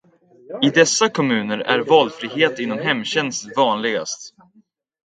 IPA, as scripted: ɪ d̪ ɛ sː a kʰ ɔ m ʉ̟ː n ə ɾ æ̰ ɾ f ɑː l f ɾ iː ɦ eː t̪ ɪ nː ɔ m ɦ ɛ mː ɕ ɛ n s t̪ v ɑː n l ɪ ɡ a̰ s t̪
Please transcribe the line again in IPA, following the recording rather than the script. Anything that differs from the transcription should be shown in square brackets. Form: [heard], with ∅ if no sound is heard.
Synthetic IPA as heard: ɪ d̪ ɛ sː a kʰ ɔ m ʉ̟ː n ə ɾ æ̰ ɾ [v] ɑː l f ɾ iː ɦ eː t̪ ɪ nː ɔ m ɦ ɛ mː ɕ ɛ n s t̪ v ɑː n l ɪ ɡ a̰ s t̪